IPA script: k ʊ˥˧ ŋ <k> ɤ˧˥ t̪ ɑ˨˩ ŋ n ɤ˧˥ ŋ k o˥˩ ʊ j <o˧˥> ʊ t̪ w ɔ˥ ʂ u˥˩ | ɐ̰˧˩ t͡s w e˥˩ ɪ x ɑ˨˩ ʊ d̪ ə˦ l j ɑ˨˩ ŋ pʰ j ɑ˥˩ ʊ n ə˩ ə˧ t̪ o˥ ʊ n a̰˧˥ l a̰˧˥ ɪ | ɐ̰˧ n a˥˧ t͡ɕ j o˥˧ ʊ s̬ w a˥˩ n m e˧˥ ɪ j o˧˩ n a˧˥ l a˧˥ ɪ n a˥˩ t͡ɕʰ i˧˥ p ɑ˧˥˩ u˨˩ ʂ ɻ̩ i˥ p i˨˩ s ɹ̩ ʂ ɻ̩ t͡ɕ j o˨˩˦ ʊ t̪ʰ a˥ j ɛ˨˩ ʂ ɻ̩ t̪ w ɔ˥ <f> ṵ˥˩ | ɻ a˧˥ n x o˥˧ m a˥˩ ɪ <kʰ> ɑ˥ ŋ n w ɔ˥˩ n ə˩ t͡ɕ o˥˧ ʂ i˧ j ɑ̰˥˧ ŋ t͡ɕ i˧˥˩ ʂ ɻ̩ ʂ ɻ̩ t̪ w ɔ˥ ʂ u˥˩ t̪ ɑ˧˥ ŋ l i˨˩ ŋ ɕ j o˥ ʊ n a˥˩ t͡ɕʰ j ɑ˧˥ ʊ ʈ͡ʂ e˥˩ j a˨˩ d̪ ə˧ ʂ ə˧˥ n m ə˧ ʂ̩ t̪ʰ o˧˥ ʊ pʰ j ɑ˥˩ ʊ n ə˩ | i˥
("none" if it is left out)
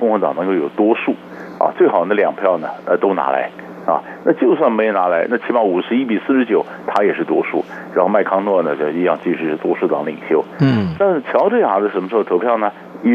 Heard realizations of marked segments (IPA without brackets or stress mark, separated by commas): x, o˨˩, ʂ, kʰ